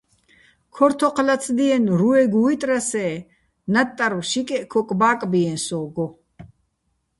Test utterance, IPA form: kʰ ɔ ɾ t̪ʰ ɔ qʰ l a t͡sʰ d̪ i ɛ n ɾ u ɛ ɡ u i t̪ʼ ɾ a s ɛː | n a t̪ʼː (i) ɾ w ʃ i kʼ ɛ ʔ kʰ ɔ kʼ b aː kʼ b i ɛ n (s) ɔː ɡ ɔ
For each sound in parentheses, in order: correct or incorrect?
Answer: incorrect: a, correct

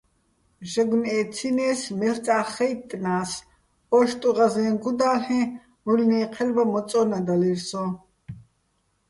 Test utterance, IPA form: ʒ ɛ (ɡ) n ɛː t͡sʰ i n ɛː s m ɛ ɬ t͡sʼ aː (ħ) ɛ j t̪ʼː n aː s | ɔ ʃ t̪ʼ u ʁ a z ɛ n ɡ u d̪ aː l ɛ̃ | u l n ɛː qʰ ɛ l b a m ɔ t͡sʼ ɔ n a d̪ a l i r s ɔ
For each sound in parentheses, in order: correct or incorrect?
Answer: correct, incorrect: χ

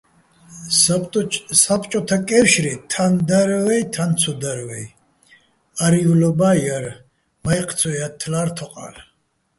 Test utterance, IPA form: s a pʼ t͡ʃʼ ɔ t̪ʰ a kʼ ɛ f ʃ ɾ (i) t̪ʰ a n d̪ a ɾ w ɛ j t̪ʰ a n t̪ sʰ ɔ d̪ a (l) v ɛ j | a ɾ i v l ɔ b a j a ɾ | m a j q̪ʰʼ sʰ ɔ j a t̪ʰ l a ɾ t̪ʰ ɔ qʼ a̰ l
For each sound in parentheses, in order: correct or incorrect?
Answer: correct, incorrect: ɾ

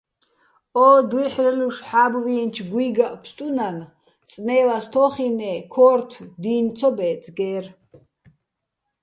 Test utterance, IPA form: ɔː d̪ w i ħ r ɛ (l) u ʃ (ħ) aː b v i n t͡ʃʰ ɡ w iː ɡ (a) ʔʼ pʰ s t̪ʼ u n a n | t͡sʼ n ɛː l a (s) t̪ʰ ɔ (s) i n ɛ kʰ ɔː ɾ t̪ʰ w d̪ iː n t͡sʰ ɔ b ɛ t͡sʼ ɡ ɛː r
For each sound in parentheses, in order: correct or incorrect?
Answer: correct, correct, correct, correct, incorrect: χ

